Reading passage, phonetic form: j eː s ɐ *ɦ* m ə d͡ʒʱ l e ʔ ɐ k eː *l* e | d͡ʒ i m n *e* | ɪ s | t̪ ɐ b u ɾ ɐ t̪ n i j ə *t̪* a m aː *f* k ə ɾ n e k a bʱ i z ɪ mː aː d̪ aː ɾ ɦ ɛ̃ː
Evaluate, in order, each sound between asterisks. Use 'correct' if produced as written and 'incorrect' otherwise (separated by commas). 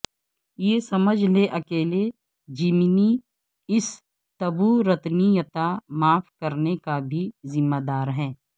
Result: incorrect, correct, incorrect, correct, correct